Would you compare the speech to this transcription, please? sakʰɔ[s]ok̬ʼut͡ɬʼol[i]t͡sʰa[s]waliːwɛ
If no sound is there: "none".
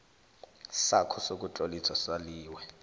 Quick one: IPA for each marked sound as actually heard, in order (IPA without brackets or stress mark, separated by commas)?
s, i, s